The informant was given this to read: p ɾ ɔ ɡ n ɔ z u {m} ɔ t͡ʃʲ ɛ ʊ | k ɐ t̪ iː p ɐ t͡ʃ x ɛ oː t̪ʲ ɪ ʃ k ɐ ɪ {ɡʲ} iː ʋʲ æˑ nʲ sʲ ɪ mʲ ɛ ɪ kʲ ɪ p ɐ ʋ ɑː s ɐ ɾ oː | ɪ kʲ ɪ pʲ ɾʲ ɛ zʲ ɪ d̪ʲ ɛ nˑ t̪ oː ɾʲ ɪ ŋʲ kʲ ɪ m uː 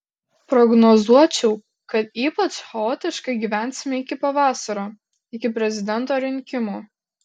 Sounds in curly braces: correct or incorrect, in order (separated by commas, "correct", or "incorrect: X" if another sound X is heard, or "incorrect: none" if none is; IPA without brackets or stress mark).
incorrect: none, correct